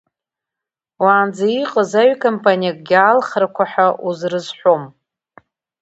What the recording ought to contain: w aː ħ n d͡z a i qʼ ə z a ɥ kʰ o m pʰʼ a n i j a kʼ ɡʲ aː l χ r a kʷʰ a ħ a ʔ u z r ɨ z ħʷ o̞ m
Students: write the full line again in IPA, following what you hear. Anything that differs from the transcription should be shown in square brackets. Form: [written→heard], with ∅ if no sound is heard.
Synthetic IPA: w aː [ħ→∅] n d͡z a i qʼ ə z a ɥ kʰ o m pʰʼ a n i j a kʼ ɡʲ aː l χ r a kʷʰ a ħ a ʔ u z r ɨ z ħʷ o̞ m